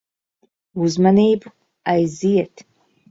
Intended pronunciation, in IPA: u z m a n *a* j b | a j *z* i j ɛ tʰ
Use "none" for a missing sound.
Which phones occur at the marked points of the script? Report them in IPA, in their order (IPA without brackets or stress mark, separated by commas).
e, z